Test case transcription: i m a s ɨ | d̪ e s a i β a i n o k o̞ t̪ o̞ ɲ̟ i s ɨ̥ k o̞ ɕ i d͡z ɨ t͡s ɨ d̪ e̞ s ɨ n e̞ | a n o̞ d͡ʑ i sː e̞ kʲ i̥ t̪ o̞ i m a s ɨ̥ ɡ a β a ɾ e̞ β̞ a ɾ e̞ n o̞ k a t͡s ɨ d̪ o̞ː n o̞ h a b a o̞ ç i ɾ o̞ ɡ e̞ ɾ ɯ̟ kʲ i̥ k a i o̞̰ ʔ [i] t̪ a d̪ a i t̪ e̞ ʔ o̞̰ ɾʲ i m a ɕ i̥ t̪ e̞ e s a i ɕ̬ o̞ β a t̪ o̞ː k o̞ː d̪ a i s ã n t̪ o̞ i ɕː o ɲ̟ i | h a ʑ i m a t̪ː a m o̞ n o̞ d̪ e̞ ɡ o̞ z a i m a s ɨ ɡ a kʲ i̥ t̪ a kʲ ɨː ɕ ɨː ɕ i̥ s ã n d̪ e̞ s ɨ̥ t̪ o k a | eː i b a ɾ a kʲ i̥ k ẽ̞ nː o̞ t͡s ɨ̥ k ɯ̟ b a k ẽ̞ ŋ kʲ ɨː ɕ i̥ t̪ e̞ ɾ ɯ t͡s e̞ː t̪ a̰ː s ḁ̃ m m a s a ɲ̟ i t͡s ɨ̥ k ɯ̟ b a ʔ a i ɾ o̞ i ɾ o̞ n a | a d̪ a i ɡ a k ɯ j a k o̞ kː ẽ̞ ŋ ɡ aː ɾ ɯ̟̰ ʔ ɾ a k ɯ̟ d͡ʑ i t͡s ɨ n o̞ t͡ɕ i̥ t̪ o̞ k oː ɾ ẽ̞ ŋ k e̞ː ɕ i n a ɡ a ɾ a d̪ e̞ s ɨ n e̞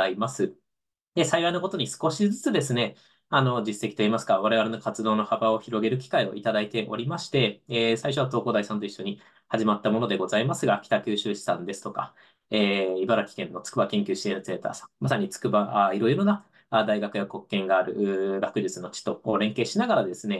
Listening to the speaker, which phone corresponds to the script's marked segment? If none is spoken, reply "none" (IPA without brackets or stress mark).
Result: i